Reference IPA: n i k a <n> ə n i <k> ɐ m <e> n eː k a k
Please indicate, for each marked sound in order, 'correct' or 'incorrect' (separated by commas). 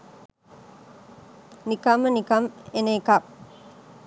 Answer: incorrect, correct, correct